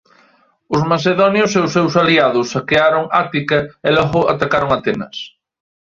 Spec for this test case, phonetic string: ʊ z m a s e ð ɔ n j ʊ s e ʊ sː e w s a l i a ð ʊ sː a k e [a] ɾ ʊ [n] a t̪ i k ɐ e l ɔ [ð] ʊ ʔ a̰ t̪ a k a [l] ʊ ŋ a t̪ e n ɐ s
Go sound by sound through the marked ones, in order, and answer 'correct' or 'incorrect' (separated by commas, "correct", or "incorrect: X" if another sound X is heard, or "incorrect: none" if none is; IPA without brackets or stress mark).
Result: correct, incorrect: ŋ, incorrect: ɣ, incorrect: ɾ